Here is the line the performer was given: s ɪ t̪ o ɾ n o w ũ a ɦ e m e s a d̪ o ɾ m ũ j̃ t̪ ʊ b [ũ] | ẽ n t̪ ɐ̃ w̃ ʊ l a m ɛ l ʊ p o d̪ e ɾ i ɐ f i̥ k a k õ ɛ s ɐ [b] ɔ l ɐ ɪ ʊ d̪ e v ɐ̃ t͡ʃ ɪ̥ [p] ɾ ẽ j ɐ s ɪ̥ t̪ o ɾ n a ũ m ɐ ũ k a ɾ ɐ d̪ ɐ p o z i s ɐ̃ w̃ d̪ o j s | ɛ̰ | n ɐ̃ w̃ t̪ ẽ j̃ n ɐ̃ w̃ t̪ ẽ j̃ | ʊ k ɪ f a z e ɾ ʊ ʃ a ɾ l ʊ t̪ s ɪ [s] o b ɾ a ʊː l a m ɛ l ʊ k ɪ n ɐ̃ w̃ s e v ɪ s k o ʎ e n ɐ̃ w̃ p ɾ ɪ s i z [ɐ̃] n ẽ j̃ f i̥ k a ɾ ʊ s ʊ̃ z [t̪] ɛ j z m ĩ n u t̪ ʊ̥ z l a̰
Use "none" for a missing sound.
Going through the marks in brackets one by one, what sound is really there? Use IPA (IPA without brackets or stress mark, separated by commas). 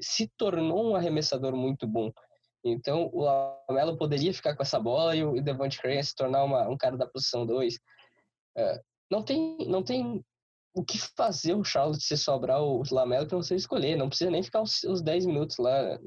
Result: õ, b, k, s, ɐ, d̪